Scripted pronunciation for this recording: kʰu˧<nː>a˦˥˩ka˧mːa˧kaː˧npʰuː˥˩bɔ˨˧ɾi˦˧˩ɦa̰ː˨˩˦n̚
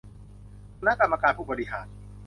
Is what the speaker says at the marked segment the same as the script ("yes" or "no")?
no